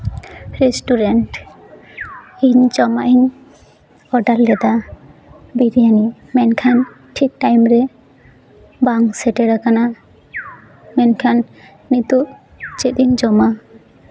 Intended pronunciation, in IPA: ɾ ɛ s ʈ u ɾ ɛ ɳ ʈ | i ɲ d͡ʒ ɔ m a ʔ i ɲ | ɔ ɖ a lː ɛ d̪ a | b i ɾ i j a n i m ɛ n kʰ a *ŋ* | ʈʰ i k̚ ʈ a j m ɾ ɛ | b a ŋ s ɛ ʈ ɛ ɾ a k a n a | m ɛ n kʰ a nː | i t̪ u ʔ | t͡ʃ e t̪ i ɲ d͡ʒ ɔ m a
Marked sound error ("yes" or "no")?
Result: yes